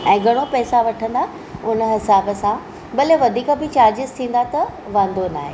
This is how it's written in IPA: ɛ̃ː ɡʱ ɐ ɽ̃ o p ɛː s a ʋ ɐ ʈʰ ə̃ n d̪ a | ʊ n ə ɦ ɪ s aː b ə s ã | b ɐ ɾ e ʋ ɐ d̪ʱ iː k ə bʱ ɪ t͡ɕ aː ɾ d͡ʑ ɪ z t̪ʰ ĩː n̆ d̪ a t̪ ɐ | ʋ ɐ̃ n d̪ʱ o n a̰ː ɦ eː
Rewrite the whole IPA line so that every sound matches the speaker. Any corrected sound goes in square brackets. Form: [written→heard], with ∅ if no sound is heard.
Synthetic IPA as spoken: ɛ̃ː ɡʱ ɐ ɽ̃ o p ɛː s a ʋ ɐ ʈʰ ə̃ n d̪ a | ʊ n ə ɦ ɪ s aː b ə s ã | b ɐ [ɾ→l] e ʋ ɐ d̪ʱ iː k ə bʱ ɪ t͡ɕ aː ɾ d͡ʑ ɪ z t̪ʰ ĩː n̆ d̪ a t̪ ɐ | ʋ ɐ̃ n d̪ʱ o n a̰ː ɦ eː